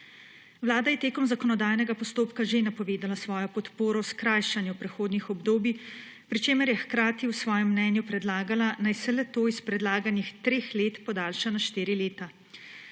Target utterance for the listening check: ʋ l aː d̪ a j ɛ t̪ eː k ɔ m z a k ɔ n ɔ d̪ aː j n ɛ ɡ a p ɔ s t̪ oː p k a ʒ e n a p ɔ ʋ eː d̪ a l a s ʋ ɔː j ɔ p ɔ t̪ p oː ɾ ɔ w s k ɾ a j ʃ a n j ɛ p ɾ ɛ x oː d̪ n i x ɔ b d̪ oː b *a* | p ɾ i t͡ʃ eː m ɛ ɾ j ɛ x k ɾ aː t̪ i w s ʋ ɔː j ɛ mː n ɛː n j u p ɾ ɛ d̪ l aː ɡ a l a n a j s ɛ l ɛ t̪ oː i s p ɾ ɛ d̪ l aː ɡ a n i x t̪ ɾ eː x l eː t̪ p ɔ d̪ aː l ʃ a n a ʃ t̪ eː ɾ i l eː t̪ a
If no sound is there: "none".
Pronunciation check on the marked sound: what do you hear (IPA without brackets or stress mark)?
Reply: i